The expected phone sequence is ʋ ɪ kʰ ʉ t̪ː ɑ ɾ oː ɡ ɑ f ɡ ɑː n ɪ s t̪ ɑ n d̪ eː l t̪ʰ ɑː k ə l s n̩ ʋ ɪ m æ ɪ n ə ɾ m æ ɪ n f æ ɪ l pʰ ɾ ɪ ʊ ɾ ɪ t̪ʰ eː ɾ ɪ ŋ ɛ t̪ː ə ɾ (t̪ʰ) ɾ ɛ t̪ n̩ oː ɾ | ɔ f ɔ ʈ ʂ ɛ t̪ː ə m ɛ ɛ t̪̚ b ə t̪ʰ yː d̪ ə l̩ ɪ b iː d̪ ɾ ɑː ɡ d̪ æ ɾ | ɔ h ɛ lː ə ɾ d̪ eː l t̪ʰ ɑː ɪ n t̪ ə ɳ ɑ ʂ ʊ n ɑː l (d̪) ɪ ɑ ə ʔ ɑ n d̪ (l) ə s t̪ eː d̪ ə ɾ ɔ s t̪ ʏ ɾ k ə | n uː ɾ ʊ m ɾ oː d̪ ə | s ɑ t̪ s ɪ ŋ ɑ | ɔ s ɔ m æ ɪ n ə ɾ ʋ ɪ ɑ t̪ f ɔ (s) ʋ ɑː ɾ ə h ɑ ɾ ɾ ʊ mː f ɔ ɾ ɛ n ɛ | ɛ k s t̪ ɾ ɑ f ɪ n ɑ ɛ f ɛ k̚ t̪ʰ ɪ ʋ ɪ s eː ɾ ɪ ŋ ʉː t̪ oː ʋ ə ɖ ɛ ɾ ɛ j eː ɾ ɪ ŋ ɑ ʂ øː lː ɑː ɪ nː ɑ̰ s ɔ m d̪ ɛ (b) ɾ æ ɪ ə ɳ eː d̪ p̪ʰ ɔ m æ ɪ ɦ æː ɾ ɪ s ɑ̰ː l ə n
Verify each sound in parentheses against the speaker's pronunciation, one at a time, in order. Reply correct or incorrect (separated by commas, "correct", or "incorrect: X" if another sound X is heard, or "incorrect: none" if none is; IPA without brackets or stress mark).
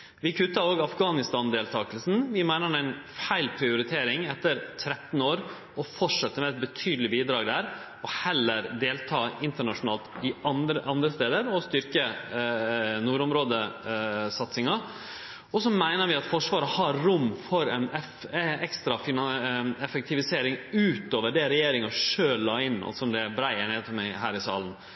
correct, incorrect: t̪, incorrect: ɾ, incorrect: ʂ, correct